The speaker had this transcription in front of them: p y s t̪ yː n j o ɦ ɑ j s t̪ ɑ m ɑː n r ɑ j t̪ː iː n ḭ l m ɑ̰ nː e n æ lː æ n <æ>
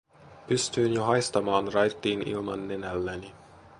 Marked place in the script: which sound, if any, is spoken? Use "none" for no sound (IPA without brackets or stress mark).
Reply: i